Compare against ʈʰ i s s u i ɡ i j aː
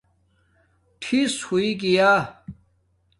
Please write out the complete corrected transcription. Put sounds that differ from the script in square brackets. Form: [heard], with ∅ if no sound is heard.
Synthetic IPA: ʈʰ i s [h] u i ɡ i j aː